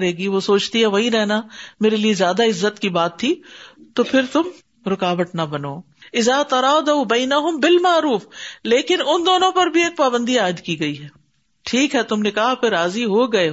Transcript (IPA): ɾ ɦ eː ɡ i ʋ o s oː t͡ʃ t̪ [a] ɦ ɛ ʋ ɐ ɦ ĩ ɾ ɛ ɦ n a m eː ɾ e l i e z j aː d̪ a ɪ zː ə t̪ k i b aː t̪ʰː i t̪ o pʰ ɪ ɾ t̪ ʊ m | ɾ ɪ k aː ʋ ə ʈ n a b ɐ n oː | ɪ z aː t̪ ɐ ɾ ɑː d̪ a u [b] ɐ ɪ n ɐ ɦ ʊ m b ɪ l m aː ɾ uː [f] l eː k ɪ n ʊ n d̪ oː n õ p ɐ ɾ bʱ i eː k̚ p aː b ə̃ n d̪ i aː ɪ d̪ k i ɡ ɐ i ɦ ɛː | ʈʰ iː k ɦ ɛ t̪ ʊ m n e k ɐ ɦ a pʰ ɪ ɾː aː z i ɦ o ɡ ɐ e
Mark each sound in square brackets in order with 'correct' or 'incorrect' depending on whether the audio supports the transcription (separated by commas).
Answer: incorrect, correct, correct